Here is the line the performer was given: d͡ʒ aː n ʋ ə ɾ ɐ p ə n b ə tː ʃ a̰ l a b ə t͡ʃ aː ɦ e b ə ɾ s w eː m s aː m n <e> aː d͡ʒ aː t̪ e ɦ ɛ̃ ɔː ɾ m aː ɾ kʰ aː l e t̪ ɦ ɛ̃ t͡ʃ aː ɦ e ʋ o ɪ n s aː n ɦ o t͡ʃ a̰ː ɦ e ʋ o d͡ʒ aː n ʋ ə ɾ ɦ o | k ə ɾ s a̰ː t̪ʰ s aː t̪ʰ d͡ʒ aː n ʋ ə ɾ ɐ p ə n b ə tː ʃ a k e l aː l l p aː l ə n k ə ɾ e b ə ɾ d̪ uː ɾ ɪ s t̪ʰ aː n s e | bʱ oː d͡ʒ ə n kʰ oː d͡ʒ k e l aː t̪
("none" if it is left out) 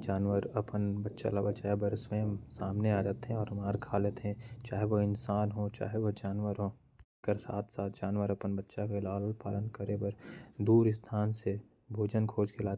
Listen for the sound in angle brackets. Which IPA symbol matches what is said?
e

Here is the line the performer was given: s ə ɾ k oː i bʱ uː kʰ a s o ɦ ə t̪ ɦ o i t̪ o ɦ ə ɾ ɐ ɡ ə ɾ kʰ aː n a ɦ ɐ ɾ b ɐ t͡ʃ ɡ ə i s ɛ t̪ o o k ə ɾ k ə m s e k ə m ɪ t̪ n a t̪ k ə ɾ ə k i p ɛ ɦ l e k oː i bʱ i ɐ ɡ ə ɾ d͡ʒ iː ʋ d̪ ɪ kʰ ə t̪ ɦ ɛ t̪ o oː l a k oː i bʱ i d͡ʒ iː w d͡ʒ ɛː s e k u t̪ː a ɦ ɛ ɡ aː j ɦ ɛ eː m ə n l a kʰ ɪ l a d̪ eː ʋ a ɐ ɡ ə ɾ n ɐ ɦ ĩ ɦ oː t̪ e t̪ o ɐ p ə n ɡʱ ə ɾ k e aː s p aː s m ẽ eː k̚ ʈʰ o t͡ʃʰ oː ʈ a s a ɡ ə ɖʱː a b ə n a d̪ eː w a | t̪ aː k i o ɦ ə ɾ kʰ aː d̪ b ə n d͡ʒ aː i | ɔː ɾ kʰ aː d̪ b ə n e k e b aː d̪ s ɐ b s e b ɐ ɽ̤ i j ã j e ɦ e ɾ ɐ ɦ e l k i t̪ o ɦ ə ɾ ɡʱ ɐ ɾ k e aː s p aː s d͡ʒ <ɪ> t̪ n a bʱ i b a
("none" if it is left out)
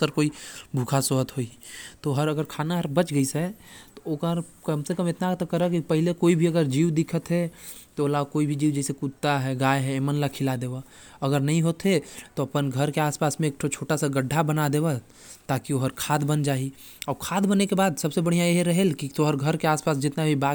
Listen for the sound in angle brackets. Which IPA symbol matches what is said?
ɪ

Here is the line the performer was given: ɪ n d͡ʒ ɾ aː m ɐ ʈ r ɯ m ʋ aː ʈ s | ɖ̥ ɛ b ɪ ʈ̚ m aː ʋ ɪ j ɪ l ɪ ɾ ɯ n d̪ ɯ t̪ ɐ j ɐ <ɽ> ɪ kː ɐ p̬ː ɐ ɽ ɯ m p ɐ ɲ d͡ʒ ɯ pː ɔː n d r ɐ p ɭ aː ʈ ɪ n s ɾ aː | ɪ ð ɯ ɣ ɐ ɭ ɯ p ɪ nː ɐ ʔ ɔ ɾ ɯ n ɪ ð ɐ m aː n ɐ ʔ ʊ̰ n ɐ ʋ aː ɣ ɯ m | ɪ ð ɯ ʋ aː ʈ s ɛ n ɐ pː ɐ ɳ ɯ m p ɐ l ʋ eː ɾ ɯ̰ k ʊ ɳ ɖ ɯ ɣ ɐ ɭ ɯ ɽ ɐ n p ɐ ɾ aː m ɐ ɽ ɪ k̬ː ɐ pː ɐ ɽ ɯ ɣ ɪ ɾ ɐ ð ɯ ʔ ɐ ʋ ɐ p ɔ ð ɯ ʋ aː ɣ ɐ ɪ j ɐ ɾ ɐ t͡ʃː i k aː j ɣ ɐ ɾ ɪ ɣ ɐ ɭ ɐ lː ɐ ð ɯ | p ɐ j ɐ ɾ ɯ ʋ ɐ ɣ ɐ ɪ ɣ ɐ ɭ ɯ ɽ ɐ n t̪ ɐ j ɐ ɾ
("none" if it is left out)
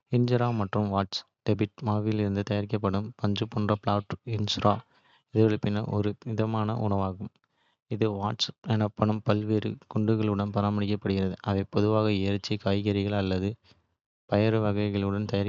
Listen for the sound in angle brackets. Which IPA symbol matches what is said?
ɾ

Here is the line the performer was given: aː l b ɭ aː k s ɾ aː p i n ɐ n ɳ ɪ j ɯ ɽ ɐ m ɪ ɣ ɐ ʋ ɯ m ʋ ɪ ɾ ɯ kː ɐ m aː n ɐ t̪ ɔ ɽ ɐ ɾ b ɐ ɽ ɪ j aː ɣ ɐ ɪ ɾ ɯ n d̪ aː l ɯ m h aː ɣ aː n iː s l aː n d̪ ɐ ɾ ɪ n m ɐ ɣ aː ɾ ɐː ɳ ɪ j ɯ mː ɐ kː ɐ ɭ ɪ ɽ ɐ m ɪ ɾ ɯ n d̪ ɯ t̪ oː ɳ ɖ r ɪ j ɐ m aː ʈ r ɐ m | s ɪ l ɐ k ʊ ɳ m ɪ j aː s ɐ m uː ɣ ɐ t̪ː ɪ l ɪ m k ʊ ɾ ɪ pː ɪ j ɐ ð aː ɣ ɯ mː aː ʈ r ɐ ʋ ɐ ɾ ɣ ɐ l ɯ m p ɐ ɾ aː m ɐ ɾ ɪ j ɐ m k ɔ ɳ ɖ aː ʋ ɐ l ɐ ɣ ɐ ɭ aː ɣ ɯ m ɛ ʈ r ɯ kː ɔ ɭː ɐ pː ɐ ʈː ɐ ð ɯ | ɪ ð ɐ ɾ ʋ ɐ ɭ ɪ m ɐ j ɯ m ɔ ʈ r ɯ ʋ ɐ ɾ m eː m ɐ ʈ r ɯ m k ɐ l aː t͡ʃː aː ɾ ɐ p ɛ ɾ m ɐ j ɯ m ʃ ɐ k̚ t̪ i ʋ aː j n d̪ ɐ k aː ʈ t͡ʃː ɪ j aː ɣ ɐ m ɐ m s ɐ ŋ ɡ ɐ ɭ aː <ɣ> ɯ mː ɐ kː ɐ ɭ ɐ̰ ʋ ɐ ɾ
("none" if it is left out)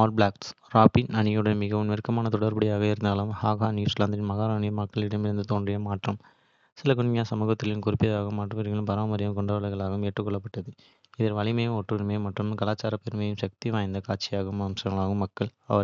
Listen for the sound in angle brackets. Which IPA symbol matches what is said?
ɣ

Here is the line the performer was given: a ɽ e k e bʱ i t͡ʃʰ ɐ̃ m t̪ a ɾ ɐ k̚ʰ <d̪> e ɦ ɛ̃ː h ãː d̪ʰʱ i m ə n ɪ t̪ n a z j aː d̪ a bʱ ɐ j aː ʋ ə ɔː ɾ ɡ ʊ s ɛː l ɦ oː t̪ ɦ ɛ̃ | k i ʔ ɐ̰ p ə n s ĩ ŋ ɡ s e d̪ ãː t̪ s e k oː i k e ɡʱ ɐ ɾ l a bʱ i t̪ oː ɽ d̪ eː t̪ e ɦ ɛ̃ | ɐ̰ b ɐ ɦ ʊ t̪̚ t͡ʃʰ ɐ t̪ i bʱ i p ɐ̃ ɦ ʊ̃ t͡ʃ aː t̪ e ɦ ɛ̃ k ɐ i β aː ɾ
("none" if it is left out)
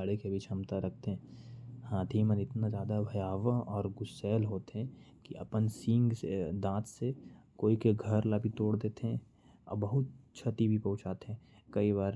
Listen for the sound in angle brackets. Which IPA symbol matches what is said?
t̪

